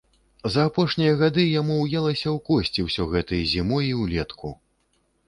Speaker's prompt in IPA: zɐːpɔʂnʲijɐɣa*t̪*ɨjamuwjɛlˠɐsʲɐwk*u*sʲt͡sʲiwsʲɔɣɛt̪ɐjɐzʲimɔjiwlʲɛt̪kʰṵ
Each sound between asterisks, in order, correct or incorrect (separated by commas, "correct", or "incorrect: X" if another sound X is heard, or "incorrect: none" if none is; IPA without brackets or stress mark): incorrect: d̪, incorrect: ɔ